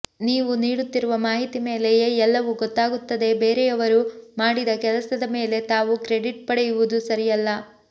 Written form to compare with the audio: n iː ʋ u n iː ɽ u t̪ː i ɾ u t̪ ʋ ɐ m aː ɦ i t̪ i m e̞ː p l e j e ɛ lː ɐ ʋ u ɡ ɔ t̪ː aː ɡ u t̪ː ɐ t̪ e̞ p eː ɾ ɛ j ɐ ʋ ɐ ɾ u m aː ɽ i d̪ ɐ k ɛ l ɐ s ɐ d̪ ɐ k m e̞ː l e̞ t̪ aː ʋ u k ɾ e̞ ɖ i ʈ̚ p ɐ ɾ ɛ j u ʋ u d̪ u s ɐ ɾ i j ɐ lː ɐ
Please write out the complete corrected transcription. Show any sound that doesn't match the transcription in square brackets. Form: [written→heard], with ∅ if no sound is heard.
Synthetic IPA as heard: n iː ʋ u n iː ɽ u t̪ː i ɾ u [t̪→∅] ʋ ɐ m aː ɦ i t̪ i m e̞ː [p→∅] l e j e ɛ lː ɐ ʋ u ɡ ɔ t̪ː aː ɡ u t̪ː ɐ [t̪→d̪] e̞ [p→b] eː ɾ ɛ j ɐ ʋ ɐ ɾ u m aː ɽ i d̪ ɐ k ɛ l ɐ s ɐ d̪ ɐ [k→∅] m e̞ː l e̞ t̪ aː ʋ u k ɾ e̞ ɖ i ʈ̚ p ɐ [ɾ→ɽ] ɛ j u ʋ u d̪ u s ɐ ɾ i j ɐ lː ɐ